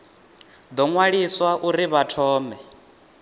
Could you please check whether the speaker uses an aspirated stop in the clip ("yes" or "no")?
yes